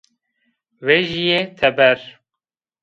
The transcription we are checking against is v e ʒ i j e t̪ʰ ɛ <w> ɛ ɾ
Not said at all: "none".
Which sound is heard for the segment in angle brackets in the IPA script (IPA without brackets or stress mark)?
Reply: b